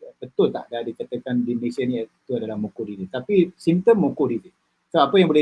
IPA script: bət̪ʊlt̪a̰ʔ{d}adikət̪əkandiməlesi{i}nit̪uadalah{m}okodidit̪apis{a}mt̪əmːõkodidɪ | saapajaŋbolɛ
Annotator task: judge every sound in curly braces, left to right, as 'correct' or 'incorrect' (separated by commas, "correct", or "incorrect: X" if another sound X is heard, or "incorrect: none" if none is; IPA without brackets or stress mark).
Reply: correct, incorrect: a, correct, incorrect: i